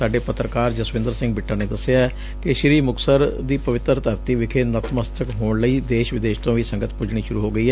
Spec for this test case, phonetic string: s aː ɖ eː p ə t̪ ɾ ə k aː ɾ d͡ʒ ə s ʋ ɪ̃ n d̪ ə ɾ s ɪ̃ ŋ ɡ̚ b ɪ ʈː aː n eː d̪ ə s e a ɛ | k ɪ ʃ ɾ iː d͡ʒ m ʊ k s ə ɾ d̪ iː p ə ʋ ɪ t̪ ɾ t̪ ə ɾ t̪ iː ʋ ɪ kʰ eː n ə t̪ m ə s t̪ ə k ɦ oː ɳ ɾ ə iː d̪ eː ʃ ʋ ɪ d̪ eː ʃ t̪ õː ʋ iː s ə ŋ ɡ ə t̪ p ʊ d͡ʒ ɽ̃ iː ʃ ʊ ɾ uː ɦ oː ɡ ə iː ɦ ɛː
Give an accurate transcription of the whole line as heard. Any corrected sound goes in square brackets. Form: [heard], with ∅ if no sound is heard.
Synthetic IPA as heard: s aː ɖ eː p ə t̪ ɾ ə k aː ɾ d͡ʒ ə s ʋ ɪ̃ n d̪ ə ɾ s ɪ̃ ŋ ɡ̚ b ɪ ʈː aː n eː d̪ ə s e a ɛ | k ɪ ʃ ɾ iː [∅] m ʊ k s ə ɾ d̪ iː p ə ʋ ɪ t̪ ɾ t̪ ə ɾ t̪ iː ʋ ɪ kʰ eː n ə t̪ m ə s t̪ ə k ɦ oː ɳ [l] ə iː d̪ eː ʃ ʋ ɪ d̪ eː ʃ t̪ õː ʋ iː s ə ŋ ɡ ə t̪ p ʊ d͡ʒ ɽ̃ iː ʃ ʊ ɾ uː ɦ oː ɡ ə iː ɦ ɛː

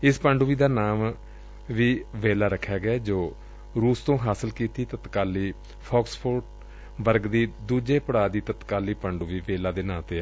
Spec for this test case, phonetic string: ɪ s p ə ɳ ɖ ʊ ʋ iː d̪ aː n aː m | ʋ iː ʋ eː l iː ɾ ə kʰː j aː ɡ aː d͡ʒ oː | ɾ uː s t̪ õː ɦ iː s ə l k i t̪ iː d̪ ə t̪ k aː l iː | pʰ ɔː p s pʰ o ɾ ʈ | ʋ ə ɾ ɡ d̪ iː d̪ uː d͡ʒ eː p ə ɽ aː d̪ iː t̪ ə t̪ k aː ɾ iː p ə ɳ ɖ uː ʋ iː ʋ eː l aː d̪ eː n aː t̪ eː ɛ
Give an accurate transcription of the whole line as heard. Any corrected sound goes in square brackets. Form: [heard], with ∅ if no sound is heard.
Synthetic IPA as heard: ɪ s p ə ɳ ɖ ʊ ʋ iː d̪ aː n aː m | ʋ iː ʋ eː l [aː] ɾ ə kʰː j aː ɡ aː d͡ʒ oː | ɾ uː s t̪ õː ɦ [aː] s ə l k [iː] t̪ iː [t̪] ə t̪ k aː l iː | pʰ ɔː [k] s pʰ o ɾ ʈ | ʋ ə ɾ ɡ d̪ iː d̪ uː d͡ʒ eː p ə ɽ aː d̪ iː t̪ ə t̪ k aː [l] iː p ə ɳ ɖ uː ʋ iː ʋ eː l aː d̪ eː n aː t̪ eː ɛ

